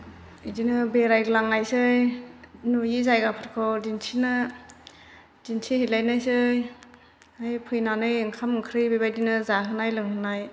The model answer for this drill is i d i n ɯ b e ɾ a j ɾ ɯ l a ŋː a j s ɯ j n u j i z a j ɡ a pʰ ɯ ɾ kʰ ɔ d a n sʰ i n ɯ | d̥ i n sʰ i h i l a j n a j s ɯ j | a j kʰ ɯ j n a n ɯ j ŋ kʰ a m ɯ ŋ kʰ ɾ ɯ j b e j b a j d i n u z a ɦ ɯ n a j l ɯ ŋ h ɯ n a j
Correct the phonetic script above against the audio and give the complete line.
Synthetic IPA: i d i n ɯ b e ɾ a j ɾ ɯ l a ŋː a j s ɯ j n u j i z a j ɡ a pʰ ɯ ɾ kʰ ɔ d i n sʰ i n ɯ | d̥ i n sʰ i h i l a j n a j s ɯ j | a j pʰ ɯ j n a n ɯ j ŋ kʰ a m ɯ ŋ kʰ ɾ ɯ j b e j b a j d i n ɯ z a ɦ ɯ n a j l ɯ ŋ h ɯ n a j